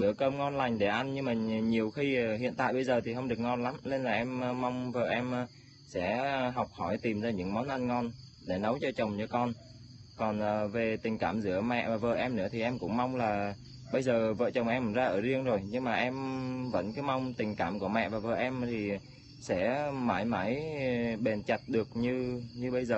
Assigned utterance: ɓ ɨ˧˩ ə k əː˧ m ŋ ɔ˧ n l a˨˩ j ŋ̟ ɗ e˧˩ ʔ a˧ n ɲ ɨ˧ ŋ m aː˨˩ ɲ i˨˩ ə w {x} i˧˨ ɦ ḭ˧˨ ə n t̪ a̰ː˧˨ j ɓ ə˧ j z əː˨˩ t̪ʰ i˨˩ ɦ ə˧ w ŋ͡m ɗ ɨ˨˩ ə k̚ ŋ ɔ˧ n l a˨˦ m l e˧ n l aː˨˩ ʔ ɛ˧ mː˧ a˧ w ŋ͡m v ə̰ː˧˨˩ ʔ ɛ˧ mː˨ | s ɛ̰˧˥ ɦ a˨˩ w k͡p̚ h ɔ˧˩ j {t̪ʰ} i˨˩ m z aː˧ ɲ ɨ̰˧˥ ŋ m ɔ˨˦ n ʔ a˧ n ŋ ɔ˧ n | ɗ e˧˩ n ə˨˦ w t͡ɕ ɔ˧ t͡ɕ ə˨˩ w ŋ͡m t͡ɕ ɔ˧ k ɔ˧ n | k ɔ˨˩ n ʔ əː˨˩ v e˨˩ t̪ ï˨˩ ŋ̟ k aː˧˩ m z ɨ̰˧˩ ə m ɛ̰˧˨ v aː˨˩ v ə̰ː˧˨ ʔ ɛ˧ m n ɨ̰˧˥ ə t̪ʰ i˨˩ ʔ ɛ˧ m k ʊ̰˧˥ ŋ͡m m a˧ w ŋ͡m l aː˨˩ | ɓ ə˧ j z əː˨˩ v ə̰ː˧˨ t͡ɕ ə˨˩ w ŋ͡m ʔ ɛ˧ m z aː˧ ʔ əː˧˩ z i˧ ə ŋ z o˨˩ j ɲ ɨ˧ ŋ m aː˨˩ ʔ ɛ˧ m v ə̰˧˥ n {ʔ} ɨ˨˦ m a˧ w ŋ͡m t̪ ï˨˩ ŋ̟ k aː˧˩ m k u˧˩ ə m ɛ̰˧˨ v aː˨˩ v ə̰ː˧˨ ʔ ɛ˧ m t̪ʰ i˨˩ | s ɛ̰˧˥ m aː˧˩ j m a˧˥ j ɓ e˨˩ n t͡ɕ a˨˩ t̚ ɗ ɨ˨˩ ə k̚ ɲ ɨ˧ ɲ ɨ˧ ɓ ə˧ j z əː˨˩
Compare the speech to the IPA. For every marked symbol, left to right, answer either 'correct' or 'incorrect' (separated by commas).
correct, incorrect, incorrect